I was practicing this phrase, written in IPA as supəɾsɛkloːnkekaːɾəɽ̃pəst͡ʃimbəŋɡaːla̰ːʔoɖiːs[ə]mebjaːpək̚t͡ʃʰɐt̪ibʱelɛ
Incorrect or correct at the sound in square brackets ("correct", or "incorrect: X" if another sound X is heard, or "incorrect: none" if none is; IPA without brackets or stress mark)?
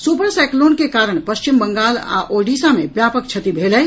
incorrect: a